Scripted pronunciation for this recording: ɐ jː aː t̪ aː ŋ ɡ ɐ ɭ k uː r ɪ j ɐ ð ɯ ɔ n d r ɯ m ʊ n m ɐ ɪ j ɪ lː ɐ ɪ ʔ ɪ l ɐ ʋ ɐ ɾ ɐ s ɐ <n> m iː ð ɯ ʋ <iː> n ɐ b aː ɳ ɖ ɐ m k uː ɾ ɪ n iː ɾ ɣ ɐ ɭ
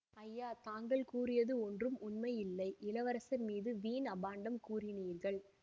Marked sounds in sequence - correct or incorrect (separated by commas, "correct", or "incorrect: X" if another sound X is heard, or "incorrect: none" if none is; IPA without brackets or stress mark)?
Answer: correct, correct